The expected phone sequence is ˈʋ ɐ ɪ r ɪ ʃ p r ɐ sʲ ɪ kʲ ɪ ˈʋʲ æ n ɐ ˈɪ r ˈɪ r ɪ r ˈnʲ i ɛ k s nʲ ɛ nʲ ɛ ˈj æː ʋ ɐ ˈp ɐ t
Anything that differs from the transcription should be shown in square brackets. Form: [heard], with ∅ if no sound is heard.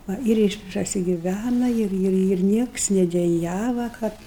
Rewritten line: ˈʋ ɐ ɪ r ɪ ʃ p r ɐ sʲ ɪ [ɡʲ] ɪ ˈʋʲ æ n ɐ ˈɪ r ˈɪ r ɪ r ˈnʲ i ɛ k s nʲ ɛ [dʲ] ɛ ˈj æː ʋ ɐ [ˈk] ɐ t